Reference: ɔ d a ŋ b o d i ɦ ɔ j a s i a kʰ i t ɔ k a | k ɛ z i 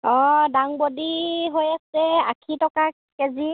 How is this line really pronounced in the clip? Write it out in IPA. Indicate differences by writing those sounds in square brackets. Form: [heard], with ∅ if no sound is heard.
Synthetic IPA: ɔ d a ŋ b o d i ɦ [o] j a s [ɛ] a kʰ i t ɔ k a | k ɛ z i